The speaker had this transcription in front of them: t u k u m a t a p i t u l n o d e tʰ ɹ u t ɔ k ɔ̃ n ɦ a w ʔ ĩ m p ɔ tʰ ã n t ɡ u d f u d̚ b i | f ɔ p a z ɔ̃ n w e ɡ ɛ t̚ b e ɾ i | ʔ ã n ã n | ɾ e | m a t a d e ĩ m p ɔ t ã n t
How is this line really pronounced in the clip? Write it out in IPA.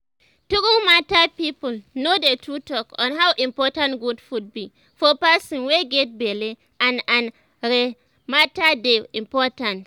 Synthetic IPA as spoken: t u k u m a t a p i p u l n o d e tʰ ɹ u t ɔ k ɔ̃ n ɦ a w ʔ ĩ m p ɔ t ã n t ɡ u d f u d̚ b i | f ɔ p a s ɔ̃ n w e ɡ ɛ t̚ b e l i | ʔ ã n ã n | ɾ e | m a t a d e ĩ m p ɔ t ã n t